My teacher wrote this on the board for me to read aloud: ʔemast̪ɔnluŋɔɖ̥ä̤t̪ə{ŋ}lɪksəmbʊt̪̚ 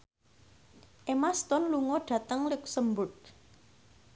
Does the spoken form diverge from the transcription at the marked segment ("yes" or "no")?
no